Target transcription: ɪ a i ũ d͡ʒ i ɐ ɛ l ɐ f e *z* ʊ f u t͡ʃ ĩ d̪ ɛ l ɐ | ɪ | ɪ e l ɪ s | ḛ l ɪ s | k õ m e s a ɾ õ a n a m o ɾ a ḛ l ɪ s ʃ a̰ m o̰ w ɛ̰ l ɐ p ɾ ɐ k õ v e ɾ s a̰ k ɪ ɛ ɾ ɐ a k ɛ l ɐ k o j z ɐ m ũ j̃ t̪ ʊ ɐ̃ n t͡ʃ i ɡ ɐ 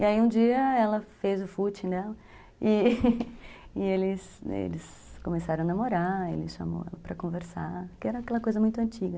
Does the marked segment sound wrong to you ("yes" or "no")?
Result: no